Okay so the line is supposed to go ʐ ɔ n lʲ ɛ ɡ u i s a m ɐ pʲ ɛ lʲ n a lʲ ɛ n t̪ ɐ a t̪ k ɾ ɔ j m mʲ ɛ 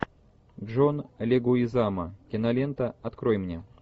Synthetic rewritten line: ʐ ɔ n lʲ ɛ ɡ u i z a m ɐ kʲ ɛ n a lʲ ɛ n t̪ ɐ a t̪ k ɾ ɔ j m nʲ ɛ